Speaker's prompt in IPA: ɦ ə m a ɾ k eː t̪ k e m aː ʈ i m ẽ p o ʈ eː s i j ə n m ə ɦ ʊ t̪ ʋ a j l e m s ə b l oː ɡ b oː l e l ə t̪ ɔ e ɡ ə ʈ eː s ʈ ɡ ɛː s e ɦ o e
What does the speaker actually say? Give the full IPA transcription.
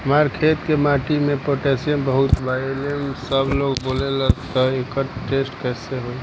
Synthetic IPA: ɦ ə m a ɾ kʰ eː t̪ k e m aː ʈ i m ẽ p o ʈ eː s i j ə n b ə ɦ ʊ t̪ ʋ a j l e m s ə b l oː ɡ b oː l e l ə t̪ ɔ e k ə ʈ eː s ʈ k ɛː s e ɦ o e